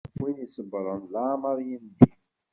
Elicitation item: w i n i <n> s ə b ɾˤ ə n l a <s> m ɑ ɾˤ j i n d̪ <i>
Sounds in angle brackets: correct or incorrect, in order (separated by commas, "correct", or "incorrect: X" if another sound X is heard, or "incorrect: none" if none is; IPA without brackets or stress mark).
incorrect: none, incorrect: none, correct